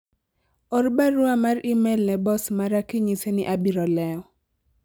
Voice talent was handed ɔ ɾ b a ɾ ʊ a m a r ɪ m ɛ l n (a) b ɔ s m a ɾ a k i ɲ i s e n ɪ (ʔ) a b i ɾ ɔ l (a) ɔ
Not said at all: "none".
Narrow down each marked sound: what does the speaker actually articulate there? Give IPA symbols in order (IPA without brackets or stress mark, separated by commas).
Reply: ɛ, ʔ, ɛ